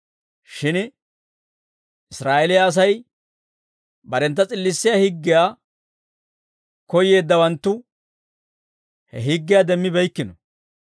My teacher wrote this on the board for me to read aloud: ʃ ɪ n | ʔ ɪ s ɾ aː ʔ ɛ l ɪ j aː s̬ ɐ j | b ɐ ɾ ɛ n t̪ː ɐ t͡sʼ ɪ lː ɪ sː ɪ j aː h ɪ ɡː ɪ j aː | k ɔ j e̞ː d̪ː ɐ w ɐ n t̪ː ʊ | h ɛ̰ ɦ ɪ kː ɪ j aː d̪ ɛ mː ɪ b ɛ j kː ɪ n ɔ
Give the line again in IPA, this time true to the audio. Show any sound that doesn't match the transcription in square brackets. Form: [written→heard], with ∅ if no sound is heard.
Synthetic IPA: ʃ ɪ n | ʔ ɪ s ɾ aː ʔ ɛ l ɪ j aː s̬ ɐ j | b ɐ ɾ ɛ n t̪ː ɐ t͡sʼ ɪ lː ɪ sː ɪ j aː h ɪ ɡː ɪ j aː | k ɔ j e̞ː d̪ː ɐ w ɐ n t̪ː ʊ | h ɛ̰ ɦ ɪ [kː→ɡː] ɪ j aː d̪ ɛ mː ɪ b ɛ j kː ɪ n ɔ